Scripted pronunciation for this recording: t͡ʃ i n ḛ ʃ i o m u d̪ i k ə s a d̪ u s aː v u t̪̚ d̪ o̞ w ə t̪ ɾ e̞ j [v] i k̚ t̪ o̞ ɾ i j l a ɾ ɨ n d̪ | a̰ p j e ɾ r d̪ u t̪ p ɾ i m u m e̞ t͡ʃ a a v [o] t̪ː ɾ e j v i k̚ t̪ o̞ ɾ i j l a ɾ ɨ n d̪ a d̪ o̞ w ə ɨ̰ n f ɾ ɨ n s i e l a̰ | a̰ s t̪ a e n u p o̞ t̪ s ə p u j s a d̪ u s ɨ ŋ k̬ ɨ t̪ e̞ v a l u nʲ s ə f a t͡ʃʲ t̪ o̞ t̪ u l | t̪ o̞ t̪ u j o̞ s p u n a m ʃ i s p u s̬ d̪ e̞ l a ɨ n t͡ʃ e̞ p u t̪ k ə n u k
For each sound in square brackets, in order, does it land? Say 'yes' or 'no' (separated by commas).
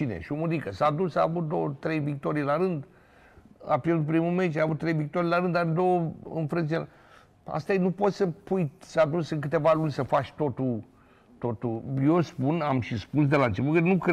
yes, no